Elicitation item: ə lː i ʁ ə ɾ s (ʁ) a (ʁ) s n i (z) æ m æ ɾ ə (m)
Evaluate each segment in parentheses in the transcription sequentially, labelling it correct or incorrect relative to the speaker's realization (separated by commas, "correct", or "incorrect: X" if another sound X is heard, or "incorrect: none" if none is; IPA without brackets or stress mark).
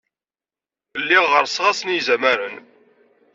correct, incorrect: none, correct, incorrect: n